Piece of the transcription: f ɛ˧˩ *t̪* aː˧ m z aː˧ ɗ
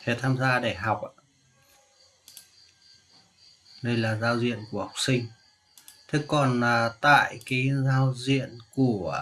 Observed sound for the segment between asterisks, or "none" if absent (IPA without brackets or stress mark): t̪ʰ